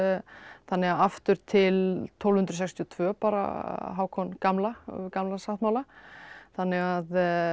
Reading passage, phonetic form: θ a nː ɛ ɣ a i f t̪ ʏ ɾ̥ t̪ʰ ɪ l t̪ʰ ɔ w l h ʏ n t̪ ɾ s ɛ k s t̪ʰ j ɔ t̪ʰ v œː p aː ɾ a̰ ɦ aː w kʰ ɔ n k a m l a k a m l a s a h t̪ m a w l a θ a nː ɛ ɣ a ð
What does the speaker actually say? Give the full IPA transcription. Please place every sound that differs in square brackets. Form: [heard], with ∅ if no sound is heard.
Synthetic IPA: θ a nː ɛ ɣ a [a] f t̪ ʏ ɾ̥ t̪ʰ ɪ l t̪ʰ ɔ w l h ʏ n t̪ ɾ s ɛ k s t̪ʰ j ɔ t̪ʰ v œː p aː ɾ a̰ ɦ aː w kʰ ɔ n k a m l a k a m l a s a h t̪ m a w l a θ a nː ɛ ɣ a ð